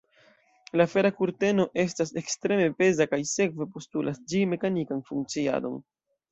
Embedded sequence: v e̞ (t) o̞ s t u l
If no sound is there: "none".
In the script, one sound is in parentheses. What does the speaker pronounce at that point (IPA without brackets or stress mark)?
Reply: p